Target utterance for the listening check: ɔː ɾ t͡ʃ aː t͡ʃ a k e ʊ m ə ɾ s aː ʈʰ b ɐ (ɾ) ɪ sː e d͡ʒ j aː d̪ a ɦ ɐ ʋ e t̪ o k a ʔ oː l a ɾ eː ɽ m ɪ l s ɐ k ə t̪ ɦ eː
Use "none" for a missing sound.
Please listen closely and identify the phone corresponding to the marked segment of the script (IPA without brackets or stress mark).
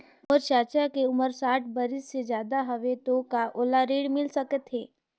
ɾ